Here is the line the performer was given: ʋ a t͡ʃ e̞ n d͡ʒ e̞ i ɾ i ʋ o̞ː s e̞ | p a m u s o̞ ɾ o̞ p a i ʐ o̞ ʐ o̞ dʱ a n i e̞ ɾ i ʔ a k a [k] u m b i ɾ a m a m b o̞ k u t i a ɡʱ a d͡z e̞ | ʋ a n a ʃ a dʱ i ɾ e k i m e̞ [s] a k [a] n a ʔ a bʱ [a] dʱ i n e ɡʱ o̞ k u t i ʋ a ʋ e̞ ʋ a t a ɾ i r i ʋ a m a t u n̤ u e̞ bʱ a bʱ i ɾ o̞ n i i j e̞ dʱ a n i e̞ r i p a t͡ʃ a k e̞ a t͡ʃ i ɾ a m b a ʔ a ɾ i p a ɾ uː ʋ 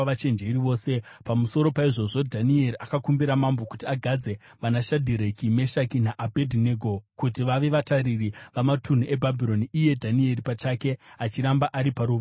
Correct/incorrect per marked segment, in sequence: correct, incorrect: ʃ, incorrect: i, incorrect: e

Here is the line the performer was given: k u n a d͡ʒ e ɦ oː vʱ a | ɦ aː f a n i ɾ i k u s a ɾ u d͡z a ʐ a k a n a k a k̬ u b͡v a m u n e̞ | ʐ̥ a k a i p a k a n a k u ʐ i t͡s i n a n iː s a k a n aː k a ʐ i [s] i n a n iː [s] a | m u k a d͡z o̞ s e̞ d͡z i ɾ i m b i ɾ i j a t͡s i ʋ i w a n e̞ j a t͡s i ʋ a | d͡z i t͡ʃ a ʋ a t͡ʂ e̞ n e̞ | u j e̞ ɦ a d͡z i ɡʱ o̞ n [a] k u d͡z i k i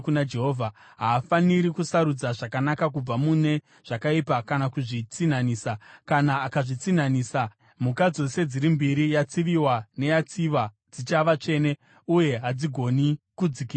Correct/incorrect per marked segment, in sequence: incorrect: t͡s, correct, incorrect: i

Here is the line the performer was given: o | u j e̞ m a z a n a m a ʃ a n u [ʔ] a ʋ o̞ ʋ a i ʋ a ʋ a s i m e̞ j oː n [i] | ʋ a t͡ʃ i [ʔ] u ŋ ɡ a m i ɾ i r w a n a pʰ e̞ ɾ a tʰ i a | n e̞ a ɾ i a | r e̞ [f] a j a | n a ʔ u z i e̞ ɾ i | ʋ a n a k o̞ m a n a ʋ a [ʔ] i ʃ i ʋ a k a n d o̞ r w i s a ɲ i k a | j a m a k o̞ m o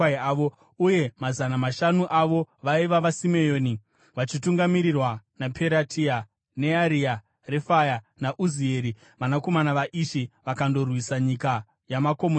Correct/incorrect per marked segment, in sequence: correct, correct, incorrect: t, correct, correct

